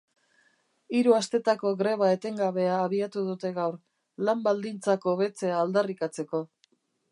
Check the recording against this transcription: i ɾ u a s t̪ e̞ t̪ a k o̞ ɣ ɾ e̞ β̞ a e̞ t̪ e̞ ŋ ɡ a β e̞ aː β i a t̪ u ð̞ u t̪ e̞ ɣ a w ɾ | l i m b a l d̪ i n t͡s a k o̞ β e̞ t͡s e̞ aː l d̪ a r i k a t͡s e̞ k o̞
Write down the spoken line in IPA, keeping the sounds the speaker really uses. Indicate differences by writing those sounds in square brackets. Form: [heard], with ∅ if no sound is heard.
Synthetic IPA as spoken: i ɾ u a s t̪ e̞ t̪ a k o̞ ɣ ɾ e̞ β̞ a e̞ t̪ e̞ ŋ ɡ a β e̞ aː β i a t̪ u ð̞ u t̪ e̞ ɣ a w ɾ | l [a] m b a l d̪ i n t͡s a k o̞ β e̞ t͡s e̞ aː l d̪ a r i k a t͡s e̞ k o̞